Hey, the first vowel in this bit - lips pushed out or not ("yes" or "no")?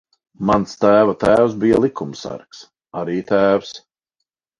no